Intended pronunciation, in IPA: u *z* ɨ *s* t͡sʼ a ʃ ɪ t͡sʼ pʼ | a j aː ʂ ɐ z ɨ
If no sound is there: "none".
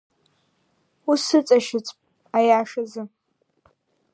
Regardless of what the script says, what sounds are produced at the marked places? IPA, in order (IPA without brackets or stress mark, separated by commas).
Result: s, none